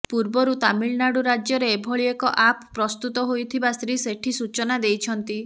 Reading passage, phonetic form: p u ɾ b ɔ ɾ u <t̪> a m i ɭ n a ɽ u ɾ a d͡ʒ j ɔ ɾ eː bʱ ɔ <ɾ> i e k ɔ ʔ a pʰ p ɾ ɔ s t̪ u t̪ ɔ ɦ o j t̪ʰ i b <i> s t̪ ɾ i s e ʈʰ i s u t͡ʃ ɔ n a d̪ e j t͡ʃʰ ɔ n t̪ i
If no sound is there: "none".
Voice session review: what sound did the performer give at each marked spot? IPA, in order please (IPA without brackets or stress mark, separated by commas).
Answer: t̪, ɭ, a